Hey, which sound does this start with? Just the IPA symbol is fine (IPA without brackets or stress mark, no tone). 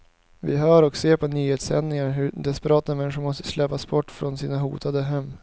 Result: v